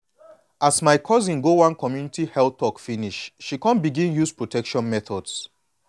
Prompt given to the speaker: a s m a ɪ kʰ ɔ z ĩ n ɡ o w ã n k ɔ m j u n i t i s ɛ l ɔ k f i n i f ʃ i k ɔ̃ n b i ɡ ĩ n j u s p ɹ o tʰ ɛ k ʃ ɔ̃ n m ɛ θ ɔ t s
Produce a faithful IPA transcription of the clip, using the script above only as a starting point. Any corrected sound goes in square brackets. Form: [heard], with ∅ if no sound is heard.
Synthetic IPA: a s m a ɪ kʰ ɔ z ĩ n ɡ o w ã n k ɔ m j u n i t i [h] ɛ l ɔ k f i n i [ʃ] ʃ i k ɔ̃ n b i ɡ ĩ n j u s p ɹ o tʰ ɛ k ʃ ɔ̃ n m ɛ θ ɔ [d] s